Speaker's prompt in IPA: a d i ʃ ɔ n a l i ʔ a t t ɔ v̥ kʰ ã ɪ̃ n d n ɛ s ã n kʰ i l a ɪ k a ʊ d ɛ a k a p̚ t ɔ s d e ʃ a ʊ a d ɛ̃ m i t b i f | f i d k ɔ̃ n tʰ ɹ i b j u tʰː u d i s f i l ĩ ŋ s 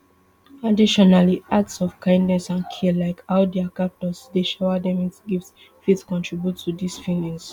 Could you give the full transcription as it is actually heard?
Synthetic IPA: a d i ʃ ɔ n a l i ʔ a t s ɔ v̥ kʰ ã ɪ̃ n d n ɛ s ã n kʰ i l a ɪ k a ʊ d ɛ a k a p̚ t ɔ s d e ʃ a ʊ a d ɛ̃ m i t ɡ i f | f i t k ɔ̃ n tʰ ɹ i b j u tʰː u d i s f i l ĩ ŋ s